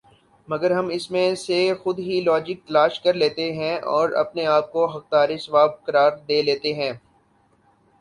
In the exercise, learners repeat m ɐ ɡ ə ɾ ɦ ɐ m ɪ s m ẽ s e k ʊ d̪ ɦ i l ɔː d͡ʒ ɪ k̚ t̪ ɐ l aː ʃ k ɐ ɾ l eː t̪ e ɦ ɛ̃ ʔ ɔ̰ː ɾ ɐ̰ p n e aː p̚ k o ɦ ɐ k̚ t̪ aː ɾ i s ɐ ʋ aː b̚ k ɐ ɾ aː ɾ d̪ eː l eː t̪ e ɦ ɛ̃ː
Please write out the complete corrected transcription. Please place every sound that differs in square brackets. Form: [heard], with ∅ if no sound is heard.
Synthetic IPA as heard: m ɐ ɡ ə ɾ ɦ ɐ m ɪ s m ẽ s e [x] ʊ d̪ ɦ i l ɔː d͡ʒ ɪ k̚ t̪ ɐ l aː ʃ k ɐ ɾ l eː t̪ e ɦ ɛ̃ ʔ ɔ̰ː ɾ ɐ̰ p n e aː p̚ k o ɦ ɐ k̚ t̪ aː ɾ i s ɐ ʋ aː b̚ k ɐ ɾ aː ɾ d̪ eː l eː t̪ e ɦ ɛ̃ː